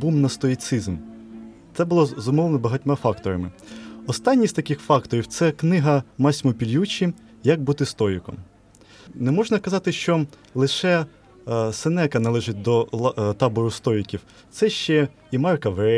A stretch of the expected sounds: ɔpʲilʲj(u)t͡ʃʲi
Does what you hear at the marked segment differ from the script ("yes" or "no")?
no